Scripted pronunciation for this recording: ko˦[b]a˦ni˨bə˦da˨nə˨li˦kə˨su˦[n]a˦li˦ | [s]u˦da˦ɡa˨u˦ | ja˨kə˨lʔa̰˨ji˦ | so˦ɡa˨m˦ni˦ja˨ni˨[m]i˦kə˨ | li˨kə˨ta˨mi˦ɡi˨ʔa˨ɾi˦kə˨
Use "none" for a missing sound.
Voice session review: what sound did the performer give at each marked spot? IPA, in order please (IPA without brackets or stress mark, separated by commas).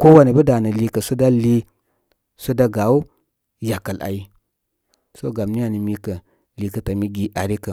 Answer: w, d, s, m